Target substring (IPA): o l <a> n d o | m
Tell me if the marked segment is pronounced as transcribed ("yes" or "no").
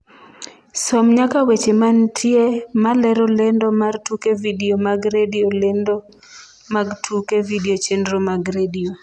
no